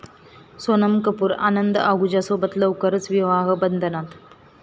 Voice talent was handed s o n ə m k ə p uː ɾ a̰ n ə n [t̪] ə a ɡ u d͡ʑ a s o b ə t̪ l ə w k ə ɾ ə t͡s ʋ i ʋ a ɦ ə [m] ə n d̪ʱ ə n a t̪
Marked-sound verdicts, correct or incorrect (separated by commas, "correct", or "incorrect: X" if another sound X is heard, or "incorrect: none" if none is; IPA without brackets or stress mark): incorrect: d̪, incorrect: b